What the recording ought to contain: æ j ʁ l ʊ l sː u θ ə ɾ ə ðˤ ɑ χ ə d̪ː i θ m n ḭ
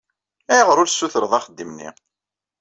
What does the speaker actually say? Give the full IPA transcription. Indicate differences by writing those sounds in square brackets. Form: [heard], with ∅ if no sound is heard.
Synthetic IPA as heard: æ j ʁ [ɾ] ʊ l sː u θ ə ɾ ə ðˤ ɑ χ ə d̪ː i [∅] m n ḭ